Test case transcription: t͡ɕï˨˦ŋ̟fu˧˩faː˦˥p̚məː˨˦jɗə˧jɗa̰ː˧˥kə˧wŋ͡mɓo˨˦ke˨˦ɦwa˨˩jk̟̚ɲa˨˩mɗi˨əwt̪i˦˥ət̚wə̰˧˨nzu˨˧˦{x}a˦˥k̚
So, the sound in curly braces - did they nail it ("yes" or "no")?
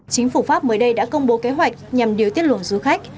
yes